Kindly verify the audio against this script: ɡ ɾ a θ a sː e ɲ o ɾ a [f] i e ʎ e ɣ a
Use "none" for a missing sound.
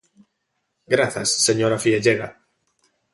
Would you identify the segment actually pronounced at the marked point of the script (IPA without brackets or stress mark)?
f